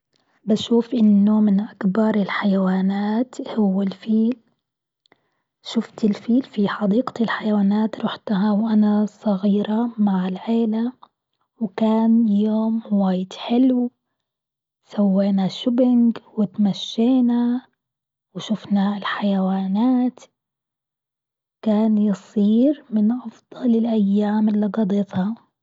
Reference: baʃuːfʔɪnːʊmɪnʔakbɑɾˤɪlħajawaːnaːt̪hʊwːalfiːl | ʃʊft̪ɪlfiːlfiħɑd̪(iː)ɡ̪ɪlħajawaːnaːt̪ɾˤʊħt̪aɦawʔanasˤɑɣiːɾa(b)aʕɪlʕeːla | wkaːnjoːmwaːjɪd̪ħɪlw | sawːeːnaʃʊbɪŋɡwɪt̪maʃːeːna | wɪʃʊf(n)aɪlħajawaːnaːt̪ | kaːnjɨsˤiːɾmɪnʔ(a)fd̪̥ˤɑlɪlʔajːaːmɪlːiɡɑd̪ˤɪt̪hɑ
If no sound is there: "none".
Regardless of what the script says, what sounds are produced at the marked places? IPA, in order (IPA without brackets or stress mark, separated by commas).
iː, m, n, ɑ